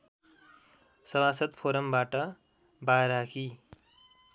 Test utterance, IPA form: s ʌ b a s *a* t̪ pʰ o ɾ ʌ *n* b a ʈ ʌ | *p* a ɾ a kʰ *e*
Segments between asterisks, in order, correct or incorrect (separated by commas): incorrect, incorrect, incorrect, incorrect